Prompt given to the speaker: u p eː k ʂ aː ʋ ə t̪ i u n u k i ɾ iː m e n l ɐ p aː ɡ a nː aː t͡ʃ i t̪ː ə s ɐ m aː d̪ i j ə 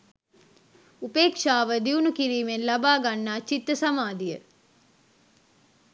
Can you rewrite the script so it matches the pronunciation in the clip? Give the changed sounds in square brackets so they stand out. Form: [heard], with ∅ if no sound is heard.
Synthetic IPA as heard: u p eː k ʂ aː ʋ ə [d̪] i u n u k i ɾ iː m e n l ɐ [b] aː ɡ a nː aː t͡ʃ i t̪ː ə s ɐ m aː d̪ i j ə